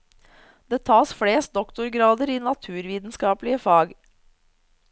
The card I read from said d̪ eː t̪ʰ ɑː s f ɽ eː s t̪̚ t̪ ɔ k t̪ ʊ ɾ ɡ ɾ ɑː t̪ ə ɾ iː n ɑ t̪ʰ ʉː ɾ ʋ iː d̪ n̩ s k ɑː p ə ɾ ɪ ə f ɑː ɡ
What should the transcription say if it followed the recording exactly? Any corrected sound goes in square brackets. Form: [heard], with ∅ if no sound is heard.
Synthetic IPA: d̪ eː t̪ʰ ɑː s f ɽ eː s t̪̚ [d̪] ɔ k t̪ ʊ ɾ ɡ ɾ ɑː [d̪] ə ɾ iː n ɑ t̪ʰ ʉː ɾ ʋ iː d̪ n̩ s k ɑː p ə [l] ɪ ə f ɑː ɡ